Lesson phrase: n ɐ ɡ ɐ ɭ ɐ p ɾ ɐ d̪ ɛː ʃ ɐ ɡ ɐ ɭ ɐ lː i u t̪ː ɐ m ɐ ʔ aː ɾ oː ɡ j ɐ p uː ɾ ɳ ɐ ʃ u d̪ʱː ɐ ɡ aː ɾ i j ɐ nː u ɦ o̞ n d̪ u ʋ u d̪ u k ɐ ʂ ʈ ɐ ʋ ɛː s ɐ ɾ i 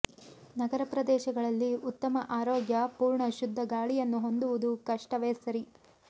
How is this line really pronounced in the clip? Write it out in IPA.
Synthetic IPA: n ɐ ɡ ɐ ɾ ɐ p ɾ ɐ d̪ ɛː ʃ ɐ ɡ ɐ ɭ ɐ lː i u t̪ː ɐ m ɐ ʔ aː ɾ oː ɡ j ɐ p uː ɾ ɳ ɐ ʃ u d̪ʱː ɐ ɡ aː ɭ i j ɐ nː u ɦ o̞ n d̪ u ʋ u d̪ u k ɐ ʂ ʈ ɐ ʋ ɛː s ɐ ɾ i